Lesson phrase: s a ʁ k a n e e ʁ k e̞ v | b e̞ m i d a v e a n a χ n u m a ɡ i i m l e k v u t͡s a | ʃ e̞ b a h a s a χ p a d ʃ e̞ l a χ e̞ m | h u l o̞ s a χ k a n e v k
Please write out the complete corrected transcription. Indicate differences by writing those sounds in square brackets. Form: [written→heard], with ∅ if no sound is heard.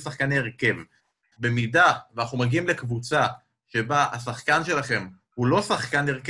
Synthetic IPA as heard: s a [ʁ→χ] k a n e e ʁ k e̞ v | b e̞ m i d a v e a n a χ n u m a ɡ i i m l e k v u t͡s a | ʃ e̞ b a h a s a χ [p→k] a [d→n] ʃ e̞ l a χ e̞ m | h u l o̞ s a χ k a n e [v→ʁ] k